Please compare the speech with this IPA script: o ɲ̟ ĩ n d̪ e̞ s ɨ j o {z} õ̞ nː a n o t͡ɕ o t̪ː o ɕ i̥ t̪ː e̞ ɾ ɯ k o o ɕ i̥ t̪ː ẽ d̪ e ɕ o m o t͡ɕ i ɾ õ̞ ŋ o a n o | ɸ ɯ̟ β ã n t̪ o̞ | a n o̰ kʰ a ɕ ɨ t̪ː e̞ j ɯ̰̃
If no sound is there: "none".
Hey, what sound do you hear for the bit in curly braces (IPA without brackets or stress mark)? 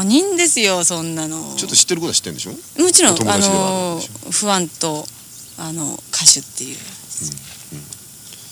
s